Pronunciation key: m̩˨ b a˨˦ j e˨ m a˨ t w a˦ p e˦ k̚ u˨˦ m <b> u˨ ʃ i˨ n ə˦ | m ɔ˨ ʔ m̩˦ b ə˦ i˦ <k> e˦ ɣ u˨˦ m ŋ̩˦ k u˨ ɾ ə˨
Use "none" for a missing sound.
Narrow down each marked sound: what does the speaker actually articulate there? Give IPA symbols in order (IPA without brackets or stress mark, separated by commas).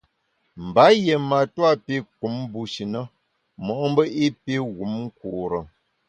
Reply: b, p